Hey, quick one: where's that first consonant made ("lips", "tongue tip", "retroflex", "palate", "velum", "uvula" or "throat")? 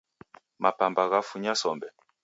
lips